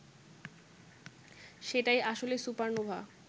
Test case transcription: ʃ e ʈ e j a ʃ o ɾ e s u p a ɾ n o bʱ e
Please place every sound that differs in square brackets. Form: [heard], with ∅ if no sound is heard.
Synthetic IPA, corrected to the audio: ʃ e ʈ [a] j a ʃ o [l] e s u p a ɾ n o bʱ [a]